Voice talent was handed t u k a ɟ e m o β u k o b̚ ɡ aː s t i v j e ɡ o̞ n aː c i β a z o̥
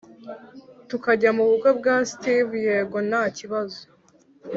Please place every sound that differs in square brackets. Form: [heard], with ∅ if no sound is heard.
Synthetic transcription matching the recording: t u k a ɟ [a] m [u] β u k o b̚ ɡ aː s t i v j e ɡ o̞ n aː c i β a z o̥